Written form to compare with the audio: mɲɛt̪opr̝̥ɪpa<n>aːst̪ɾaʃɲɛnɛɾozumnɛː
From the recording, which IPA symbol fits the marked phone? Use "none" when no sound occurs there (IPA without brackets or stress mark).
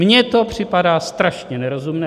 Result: d